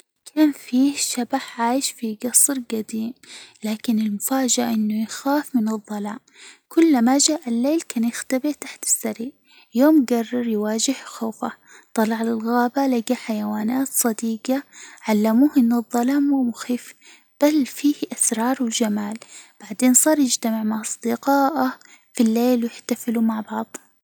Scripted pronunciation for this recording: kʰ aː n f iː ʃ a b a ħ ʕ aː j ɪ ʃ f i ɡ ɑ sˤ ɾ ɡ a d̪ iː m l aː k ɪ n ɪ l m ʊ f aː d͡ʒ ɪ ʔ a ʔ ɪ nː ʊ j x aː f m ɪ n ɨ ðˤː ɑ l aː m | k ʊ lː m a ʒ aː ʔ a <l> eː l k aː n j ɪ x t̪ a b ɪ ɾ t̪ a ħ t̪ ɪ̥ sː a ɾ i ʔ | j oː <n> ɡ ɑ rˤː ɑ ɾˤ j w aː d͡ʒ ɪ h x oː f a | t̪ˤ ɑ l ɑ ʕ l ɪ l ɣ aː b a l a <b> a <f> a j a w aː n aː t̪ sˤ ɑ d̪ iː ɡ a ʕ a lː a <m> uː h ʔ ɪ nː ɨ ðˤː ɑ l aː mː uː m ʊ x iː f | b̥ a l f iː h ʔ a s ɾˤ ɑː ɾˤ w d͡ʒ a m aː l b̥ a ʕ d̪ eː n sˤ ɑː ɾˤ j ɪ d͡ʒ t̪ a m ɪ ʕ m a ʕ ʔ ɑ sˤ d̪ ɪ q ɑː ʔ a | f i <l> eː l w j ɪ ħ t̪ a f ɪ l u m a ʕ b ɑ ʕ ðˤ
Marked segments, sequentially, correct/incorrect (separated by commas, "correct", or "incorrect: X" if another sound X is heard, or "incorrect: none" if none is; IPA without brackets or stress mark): incorrect: lː, incorrect: m, incorrect: ɡ, incorrect: ħ, correct, incorrect: lː